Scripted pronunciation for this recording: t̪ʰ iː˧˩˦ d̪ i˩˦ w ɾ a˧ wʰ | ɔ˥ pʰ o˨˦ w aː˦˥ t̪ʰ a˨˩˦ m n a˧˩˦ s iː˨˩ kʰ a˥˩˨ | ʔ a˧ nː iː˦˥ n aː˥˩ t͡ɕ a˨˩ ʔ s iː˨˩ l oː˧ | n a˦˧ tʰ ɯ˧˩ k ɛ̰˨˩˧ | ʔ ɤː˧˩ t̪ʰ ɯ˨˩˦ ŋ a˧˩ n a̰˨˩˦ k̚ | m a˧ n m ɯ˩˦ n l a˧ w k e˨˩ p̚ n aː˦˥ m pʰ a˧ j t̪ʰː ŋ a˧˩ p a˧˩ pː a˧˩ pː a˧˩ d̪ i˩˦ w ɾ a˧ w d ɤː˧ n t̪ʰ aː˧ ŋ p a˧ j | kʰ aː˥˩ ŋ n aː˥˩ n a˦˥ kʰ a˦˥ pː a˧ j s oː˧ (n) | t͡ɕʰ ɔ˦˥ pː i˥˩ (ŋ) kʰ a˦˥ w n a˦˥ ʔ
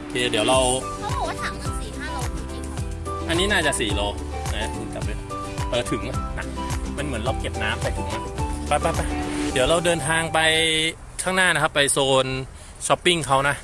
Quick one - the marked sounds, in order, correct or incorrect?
correct, correct

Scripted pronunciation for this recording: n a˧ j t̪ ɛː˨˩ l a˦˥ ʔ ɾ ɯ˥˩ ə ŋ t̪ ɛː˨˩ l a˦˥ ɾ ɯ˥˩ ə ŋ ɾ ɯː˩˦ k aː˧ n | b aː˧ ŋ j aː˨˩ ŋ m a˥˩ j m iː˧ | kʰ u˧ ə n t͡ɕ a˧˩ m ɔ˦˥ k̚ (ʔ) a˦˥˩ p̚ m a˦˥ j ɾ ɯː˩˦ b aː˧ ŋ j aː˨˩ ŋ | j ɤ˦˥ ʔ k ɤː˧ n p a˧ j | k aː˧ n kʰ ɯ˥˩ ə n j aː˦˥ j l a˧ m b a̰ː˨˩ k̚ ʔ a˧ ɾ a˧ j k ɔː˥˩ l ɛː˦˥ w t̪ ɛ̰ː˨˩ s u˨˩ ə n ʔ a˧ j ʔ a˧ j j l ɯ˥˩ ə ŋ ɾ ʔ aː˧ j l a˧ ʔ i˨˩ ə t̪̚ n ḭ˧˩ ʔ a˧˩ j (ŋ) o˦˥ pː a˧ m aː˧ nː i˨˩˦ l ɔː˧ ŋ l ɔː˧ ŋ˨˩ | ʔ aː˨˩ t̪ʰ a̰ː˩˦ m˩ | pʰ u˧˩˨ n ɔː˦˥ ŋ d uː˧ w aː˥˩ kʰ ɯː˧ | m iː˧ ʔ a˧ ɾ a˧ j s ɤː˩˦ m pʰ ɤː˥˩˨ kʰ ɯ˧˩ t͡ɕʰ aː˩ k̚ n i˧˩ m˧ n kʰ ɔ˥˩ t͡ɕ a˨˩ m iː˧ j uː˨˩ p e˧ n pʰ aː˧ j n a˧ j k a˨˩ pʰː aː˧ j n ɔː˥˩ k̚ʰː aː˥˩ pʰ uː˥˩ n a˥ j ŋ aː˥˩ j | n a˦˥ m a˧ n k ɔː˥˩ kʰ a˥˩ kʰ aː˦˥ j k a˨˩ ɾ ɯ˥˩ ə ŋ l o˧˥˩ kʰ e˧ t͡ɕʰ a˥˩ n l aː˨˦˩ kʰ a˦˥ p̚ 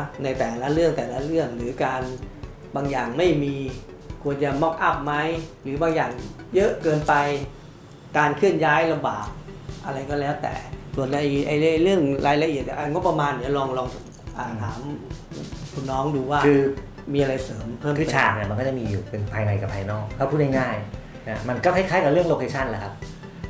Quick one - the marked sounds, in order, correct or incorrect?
correct, correct

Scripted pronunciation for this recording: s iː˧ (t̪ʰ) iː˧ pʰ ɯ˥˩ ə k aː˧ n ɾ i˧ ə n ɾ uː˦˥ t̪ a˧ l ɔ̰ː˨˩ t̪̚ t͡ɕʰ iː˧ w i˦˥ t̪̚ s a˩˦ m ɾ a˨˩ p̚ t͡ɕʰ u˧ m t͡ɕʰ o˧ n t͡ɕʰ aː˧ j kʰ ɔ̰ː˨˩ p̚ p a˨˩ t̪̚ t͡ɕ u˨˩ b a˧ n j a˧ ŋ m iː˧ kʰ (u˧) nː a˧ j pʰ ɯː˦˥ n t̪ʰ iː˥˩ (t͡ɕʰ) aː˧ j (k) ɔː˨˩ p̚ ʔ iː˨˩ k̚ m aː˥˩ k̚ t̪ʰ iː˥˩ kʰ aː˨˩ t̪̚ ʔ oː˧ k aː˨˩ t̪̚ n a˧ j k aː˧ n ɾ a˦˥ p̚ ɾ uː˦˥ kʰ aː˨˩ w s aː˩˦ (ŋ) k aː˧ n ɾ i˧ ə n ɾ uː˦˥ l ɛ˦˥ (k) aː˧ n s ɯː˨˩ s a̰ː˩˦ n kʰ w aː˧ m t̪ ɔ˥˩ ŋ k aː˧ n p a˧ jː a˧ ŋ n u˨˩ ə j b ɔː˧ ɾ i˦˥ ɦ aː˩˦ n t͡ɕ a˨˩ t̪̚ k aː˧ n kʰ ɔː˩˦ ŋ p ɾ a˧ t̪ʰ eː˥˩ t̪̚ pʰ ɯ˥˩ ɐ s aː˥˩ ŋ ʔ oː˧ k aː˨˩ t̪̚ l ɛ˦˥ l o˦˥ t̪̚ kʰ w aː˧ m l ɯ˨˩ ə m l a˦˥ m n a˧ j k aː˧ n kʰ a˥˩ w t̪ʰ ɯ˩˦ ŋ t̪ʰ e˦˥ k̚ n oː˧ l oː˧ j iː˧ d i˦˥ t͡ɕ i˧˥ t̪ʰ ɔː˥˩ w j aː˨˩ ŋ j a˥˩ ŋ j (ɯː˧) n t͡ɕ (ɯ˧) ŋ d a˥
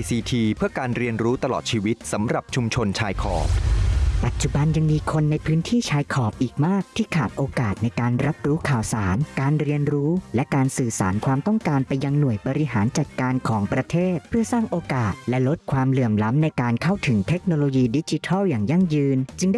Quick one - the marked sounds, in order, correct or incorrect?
correct, incorrect, correct, incorrect, incorrect, correct, correct, correct

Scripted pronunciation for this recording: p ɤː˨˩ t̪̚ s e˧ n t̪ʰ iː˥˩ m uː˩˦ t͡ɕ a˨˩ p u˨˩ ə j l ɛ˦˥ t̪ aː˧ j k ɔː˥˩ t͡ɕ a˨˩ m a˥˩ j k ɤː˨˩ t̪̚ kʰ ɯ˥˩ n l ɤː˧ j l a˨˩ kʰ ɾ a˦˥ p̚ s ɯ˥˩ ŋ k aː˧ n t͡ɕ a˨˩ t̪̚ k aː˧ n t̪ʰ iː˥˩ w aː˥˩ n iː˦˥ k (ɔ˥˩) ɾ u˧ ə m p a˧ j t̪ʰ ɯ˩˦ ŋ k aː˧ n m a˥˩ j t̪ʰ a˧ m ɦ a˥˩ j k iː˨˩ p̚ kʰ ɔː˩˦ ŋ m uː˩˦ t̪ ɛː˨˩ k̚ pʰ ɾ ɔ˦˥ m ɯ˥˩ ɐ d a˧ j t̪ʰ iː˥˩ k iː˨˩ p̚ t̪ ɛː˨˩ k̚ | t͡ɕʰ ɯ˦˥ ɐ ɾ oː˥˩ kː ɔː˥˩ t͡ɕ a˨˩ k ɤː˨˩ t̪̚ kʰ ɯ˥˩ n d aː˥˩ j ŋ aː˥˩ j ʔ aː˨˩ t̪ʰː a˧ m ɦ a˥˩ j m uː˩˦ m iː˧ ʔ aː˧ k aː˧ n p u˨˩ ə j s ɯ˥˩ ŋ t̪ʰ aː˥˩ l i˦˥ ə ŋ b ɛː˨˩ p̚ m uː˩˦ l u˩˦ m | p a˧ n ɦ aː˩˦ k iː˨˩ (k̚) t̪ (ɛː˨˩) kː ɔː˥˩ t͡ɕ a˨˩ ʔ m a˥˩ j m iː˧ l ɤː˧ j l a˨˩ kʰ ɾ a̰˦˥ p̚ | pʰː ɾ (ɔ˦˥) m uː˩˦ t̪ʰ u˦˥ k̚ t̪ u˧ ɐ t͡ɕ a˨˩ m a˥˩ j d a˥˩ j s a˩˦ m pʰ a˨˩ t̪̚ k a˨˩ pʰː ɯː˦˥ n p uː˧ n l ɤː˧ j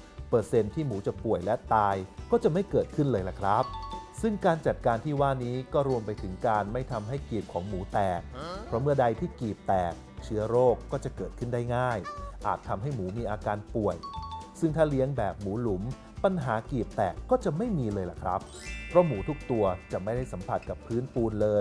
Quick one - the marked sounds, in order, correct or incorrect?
incorrect, incorrect, correct, correct

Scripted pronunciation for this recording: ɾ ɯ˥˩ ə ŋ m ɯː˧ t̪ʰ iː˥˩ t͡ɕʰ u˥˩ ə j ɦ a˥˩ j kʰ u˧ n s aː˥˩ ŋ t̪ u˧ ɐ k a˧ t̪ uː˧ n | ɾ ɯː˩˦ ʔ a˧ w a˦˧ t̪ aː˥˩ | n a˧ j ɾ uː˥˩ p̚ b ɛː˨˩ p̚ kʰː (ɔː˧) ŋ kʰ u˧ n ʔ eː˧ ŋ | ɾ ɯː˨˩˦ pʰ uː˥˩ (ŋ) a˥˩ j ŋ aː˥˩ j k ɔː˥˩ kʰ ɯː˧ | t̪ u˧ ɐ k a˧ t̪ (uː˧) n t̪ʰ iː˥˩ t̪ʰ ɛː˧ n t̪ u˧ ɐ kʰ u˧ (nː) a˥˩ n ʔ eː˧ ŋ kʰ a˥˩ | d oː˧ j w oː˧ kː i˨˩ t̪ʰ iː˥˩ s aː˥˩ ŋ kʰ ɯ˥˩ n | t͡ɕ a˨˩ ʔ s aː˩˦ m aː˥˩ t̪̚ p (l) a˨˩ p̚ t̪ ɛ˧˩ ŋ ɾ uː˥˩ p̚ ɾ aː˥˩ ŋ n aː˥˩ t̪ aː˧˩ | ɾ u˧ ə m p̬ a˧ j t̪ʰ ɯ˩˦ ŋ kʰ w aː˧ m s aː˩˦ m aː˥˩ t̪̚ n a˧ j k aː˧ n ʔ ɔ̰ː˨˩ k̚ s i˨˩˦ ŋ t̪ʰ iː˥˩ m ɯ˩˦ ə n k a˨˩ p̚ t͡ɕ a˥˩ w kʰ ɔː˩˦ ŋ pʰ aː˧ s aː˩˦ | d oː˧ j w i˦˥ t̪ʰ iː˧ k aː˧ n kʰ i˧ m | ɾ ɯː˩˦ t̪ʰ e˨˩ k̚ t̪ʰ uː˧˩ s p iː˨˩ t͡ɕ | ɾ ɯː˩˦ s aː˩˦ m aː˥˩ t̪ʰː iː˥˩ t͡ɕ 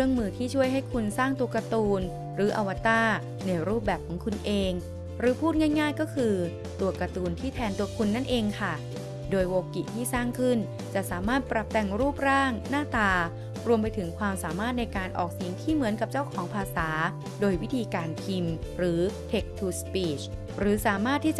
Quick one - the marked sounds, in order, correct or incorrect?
incorrect, correct, correct, correct, incorrect

